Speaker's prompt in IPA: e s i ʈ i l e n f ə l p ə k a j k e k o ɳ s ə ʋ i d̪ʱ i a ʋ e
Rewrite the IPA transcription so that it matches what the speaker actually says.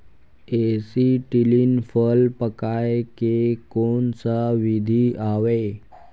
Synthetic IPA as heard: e s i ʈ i l i n f ə l p ə k a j k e k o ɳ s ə ʋ i d̪ʱ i a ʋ e